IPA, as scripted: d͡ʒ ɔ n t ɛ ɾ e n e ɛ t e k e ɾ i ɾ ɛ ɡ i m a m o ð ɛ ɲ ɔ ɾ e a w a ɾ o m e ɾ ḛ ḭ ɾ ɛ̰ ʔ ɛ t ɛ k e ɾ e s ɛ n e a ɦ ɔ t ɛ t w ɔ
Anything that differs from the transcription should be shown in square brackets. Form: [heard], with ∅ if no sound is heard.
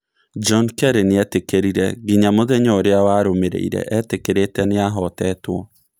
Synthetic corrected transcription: d͡ʒ ɔ n [k] ɛ ɾ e n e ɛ t e k e ɾ i ɾ ɛ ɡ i [ɲ] a m o ð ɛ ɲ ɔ ɾ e a w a ɾ o m e ɾ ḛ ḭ ɾ ɛ̰ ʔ ɛ t [e] k e ɾ e [t] ɛ n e a ɦ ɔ t ɛ t w ɔ